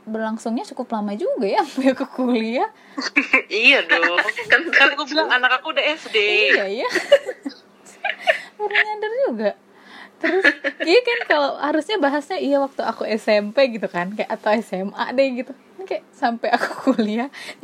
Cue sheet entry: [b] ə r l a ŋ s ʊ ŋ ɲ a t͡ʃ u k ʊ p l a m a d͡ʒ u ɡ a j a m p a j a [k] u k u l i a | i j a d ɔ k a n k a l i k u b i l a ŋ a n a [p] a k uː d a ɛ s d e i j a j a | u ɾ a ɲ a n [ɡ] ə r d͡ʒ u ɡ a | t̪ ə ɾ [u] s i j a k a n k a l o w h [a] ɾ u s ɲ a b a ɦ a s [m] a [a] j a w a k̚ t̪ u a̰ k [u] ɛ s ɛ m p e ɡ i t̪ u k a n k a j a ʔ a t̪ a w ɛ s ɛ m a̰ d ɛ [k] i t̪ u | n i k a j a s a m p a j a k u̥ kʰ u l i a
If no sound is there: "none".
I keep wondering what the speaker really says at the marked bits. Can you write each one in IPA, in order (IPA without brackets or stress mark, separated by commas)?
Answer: b, k, k, d, ʊ, a, ɲ, i, u, ɡ